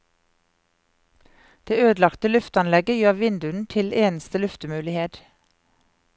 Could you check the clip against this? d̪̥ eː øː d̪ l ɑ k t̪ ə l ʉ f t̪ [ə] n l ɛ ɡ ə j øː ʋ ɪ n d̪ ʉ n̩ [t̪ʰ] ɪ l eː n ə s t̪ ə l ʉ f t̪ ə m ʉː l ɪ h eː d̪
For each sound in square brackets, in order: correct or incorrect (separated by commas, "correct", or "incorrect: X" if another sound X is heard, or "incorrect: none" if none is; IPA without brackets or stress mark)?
incorrect: ɑ, correct